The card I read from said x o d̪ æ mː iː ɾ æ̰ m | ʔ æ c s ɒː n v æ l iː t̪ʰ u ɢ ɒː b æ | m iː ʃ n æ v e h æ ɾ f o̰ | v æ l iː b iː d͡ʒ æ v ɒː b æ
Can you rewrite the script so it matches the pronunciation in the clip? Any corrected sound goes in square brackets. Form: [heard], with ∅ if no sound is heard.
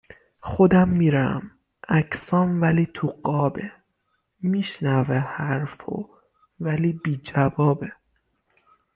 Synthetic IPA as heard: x o d̪ æ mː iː ɾ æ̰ m | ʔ æ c s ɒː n v æ l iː t̪ʰ u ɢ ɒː b [e] | m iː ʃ n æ v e h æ ɾ f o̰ | v æ l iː b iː d͡ʒ æ v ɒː b [e]